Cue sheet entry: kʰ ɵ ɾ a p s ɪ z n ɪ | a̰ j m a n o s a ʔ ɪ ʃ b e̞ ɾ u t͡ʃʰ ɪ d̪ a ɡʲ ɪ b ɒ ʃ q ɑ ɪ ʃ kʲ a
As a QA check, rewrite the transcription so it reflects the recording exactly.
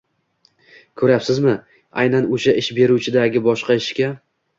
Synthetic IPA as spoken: kʰ ɵ ɾ a p s ɪ z m ɪ | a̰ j n a n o ʃ a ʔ ɪ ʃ b e̞ ɾ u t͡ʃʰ ɪ d̪ a ɡʲ ɪ b ɒ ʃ q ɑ ɪ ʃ kʲ a